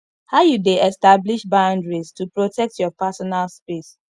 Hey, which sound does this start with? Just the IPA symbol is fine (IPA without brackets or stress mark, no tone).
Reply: h